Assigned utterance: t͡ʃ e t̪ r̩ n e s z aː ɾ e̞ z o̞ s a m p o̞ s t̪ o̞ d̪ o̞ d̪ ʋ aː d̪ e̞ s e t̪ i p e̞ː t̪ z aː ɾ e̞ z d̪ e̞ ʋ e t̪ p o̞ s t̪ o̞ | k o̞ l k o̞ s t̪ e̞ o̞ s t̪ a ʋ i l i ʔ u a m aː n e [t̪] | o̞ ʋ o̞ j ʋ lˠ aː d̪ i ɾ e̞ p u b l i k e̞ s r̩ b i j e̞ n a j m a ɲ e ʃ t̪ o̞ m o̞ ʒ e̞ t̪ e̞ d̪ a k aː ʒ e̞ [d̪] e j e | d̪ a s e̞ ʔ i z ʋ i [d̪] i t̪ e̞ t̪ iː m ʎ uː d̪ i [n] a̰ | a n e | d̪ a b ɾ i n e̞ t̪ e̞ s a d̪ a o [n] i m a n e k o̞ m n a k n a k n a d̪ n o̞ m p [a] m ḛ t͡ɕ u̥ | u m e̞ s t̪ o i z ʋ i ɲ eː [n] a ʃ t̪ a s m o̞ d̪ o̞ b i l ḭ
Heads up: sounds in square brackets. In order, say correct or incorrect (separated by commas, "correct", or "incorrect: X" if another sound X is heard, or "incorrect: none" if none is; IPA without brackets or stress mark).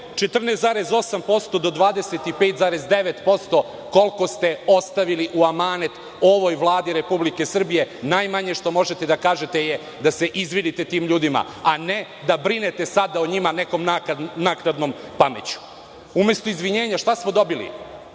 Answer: correct, incorrect: t̪, correct, incorrect: m, incorrect: ɲ, correct, incorrect: ɲ